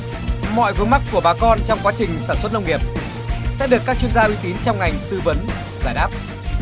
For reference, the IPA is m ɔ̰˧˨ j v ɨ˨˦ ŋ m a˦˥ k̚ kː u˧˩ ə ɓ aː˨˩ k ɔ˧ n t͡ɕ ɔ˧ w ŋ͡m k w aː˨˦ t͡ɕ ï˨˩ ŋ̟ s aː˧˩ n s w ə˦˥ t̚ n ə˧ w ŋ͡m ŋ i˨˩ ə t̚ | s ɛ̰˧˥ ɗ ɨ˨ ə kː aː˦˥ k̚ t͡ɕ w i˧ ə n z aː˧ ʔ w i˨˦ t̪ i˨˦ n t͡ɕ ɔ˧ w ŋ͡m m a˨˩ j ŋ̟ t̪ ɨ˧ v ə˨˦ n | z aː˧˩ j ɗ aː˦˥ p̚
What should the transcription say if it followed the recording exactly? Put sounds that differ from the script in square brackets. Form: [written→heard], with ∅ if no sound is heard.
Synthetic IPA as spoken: m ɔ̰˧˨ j v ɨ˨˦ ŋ m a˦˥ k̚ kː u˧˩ ə ɓ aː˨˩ k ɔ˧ n t͡ɕ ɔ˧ w ŋ͡m k w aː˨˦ t͡ɕ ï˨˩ ŋ̟ s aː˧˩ n s w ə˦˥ t̚ n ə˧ w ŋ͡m ŋ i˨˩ ə [t̚→p̚] | s ɛ̰˧˥ ɗ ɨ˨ ə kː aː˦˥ k̚ t͡ɕ w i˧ ə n z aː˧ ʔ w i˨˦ t̪ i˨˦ n t͡ɕ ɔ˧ w ŋ͡m [m→ŋ] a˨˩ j ŋ̟ t̪ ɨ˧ v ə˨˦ n | z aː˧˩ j ɗ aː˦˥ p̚